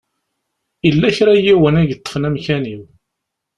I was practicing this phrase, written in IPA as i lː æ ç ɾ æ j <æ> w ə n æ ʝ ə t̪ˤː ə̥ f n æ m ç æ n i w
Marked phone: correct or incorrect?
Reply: incorrect